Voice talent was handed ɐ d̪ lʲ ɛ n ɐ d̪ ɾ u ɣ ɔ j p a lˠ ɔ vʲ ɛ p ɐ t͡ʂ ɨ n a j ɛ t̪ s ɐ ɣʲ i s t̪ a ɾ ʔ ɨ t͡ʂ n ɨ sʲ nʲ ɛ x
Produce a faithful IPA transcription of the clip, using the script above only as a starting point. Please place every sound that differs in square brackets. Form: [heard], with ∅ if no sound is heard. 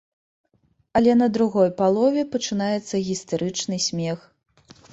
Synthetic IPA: ɐ [∅] lʲ ɛ n ɐ d̪ ɾ u ɣ ɔ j p a lˠ ɔ vʲ ɛ p ɐ t͡ʂ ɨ n a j ɛ t̪ [sː] ɐ ɣʲ i s t̪ a ɾ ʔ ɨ t͡ʂ n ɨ sʲ [mʲ] ɛ x